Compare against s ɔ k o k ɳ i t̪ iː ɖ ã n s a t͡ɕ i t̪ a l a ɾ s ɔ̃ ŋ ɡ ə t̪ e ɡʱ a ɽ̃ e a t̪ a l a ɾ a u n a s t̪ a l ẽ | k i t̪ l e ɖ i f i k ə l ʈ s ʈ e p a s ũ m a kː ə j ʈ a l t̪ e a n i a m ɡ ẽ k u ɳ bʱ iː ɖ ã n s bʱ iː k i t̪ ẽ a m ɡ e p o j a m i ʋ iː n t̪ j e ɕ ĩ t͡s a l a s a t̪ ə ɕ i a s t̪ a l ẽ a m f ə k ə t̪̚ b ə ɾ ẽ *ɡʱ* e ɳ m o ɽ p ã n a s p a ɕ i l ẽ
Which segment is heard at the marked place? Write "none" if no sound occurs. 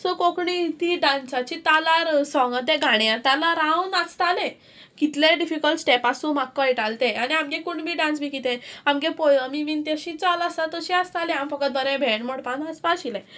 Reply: bʱ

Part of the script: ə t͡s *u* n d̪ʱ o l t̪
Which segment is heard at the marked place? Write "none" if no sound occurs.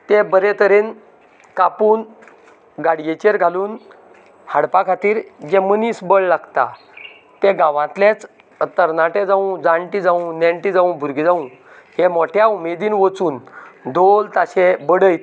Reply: uː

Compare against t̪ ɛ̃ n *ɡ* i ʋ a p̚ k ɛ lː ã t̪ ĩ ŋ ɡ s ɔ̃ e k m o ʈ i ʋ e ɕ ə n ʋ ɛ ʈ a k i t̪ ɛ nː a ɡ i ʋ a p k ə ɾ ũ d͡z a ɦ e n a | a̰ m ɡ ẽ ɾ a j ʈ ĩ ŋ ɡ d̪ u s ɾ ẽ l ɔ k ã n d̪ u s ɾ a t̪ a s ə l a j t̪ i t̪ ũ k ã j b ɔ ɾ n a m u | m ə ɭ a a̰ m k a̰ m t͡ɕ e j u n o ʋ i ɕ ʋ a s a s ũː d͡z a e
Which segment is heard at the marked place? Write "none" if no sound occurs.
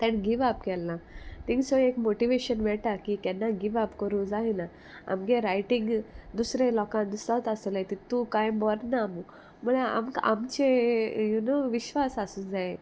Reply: ɡ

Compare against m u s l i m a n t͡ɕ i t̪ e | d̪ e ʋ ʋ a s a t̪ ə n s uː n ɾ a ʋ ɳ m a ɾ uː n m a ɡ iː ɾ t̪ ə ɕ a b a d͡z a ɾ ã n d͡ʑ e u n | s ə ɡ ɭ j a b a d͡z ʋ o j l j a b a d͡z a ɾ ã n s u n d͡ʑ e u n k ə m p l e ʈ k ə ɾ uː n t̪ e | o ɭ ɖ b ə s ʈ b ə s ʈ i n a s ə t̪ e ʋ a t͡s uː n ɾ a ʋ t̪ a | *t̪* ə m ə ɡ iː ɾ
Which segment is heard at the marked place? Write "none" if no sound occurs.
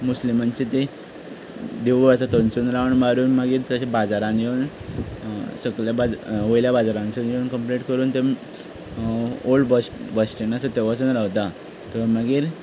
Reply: t̪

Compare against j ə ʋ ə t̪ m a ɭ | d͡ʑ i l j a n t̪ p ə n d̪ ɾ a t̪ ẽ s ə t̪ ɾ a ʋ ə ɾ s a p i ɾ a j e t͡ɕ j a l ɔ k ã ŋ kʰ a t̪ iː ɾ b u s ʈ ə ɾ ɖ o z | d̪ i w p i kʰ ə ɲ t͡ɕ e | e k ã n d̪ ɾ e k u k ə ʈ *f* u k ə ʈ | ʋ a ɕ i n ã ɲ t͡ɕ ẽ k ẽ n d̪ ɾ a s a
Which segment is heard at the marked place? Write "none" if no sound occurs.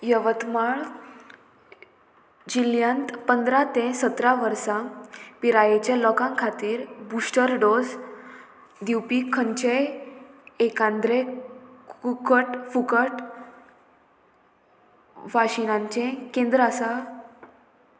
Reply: f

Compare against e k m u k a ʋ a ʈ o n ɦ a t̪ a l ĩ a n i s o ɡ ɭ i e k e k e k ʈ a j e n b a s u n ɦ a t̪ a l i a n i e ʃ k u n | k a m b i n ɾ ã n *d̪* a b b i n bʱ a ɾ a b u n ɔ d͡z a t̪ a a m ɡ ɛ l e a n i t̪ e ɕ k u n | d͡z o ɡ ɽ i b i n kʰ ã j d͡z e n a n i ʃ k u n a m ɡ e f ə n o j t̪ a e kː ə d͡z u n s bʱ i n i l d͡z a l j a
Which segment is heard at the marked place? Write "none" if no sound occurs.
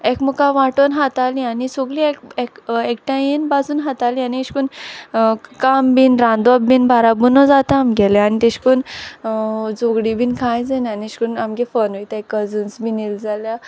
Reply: d̪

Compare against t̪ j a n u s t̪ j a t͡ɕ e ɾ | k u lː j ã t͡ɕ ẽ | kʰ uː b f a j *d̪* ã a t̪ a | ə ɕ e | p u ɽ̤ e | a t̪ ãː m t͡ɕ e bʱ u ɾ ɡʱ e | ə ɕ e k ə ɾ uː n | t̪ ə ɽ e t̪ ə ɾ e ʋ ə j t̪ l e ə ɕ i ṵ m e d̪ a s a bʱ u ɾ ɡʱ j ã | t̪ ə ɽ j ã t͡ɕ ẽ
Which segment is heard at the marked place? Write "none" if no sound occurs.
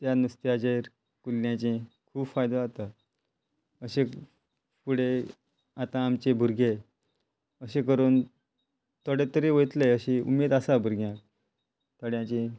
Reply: d̪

